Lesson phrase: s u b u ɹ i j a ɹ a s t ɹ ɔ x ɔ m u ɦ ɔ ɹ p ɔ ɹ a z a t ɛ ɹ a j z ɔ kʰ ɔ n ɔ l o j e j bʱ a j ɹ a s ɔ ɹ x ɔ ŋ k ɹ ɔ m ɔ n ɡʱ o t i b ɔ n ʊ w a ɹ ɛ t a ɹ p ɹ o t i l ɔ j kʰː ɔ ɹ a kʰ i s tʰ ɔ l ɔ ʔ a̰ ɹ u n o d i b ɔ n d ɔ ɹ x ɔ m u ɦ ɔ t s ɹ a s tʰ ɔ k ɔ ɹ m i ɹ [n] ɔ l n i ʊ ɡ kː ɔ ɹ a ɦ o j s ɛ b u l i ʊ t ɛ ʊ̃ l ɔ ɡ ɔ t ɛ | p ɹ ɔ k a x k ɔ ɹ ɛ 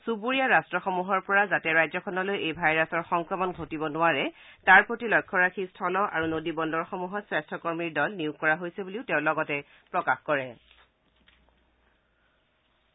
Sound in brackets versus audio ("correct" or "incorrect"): incorrect